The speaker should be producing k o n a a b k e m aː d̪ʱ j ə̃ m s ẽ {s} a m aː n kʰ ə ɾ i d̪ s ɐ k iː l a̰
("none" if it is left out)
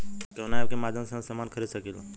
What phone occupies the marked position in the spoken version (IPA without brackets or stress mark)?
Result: s